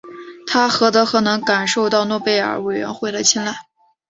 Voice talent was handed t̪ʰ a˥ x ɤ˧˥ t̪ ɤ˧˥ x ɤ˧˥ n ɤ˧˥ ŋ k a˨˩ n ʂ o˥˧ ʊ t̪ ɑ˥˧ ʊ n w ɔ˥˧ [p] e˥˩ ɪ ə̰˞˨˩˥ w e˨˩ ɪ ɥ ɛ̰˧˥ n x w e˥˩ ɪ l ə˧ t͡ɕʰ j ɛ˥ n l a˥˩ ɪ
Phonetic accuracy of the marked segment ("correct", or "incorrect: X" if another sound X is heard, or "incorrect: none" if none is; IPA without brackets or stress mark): correct